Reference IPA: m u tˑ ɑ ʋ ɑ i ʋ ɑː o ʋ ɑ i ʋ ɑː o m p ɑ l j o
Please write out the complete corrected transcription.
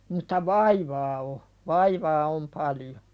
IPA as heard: m u tˑ ɑ ʋ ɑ i ʋ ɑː o ʋ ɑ i ʋ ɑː o m p ɑ l j o